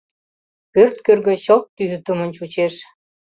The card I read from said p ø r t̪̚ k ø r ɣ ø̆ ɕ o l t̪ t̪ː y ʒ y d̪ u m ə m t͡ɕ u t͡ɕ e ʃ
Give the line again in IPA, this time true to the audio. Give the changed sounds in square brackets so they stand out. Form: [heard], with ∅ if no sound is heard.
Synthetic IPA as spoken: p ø r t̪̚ k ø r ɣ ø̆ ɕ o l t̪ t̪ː y [z] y [t̪] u m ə [n] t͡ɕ u t͡ɕ e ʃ